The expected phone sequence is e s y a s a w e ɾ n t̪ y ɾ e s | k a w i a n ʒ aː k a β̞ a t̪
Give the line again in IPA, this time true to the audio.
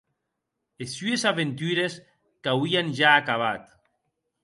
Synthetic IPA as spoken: e s y e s a β e n t̪ y ɾ e s | k a w i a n ʒ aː k a β̞ a t̪